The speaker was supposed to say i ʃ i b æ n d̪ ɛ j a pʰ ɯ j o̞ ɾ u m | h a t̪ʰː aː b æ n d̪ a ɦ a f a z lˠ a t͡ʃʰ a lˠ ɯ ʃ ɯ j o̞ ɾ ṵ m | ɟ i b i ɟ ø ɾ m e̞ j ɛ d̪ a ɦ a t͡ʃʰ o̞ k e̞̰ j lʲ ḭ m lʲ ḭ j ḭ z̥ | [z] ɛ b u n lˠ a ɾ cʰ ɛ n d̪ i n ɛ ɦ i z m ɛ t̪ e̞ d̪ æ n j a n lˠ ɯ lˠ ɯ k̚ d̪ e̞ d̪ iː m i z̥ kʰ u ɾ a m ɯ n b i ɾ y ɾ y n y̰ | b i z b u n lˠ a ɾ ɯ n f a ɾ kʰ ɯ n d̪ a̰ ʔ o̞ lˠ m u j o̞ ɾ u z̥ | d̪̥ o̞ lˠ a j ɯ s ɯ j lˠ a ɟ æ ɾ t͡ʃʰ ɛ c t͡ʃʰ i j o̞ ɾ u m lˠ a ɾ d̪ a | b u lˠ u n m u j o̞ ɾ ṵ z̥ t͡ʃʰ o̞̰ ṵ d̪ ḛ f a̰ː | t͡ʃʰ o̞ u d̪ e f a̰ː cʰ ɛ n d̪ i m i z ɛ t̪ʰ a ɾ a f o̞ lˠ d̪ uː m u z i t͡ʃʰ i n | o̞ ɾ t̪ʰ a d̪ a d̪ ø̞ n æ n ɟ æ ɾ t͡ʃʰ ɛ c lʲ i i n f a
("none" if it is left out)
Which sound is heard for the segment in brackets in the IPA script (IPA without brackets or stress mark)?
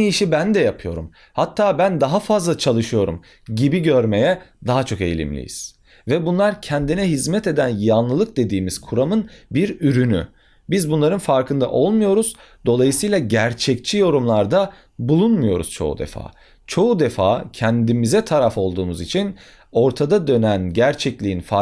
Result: v